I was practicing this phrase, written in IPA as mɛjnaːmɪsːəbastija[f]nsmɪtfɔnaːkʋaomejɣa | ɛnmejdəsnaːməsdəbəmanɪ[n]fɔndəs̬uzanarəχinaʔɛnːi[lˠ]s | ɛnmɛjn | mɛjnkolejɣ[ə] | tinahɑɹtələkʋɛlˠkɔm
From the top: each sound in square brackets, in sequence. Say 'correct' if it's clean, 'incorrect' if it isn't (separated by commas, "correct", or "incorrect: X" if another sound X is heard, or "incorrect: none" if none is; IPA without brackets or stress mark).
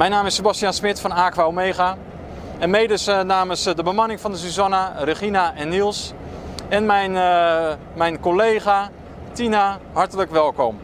incorrect: none, incorrect: ŋ, correct, incorrect: a